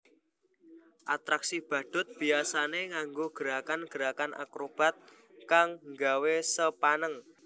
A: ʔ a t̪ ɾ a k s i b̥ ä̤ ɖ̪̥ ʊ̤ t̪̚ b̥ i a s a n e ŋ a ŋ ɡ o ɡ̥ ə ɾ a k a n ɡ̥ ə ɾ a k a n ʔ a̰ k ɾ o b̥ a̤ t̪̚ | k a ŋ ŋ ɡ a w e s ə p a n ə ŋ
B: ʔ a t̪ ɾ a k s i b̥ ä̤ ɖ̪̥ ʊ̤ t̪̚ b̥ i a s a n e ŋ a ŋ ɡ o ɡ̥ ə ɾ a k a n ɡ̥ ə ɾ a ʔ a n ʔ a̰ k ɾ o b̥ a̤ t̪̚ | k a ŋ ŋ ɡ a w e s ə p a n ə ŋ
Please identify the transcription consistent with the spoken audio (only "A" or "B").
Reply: A